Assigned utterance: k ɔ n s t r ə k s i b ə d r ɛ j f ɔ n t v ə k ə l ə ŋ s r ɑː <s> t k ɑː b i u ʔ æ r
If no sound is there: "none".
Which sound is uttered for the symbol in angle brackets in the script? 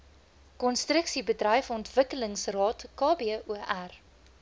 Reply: none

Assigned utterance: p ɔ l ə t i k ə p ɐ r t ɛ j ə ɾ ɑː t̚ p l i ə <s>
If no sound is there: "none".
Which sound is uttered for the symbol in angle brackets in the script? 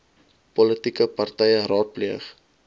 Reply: χ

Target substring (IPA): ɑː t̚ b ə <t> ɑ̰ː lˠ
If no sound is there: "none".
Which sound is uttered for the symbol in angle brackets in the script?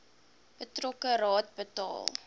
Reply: t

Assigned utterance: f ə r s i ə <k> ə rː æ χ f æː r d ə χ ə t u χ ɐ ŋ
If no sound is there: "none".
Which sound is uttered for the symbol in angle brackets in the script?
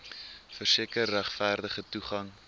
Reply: k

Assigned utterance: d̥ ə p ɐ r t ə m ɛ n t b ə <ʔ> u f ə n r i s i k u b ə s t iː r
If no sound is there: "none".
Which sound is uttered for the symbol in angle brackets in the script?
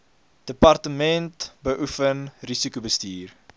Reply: ʔ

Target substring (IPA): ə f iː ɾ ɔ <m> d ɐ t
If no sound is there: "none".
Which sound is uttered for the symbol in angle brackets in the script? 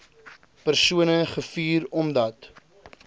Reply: m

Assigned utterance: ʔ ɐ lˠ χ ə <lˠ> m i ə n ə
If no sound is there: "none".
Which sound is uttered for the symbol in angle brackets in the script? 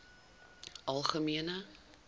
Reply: none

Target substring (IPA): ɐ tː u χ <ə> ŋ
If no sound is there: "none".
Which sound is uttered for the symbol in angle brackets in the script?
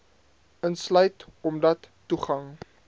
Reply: ɐ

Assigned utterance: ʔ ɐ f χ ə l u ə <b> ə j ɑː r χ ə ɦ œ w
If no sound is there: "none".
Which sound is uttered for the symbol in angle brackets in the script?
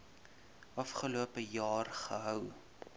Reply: p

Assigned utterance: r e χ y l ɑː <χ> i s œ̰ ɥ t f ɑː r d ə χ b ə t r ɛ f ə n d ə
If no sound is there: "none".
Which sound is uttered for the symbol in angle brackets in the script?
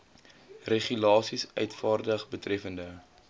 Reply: s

